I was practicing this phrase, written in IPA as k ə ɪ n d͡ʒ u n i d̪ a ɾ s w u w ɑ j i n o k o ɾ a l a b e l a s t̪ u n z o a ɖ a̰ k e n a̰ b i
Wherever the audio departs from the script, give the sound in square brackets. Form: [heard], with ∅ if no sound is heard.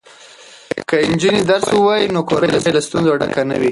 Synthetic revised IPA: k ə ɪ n d͡ʒ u n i d̪ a ɾ s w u w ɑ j i n o k o ɾ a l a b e l a s t̪ u n z o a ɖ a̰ k [a] n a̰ [w] i